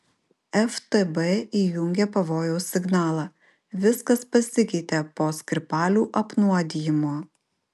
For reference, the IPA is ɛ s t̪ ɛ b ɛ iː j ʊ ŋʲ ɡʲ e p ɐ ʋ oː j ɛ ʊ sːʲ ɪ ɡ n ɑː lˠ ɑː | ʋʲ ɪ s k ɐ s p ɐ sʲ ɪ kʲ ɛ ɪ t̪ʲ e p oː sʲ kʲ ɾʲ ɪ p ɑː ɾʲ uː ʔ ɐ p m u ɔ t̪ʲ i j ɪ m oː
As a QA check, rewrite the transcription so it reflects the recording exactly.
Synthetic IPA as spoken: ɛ f t̪ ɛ b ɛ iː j ʊ ŋʲ ɡʲ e p ɐ ʋ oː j ɛ ʊ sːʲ ɪ ɡ n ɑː lˠ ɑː | ʋʲ ɪ s k ɐ s p ɐ sʲ ɪ kʲ ɛ ɪ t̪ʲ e p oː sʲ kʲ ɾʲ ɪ p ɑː lʲ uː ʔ ɐ p n u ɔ d̪ʲ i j ɪ m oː